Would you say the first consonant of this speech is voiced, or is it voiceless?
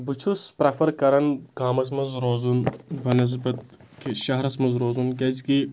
voiced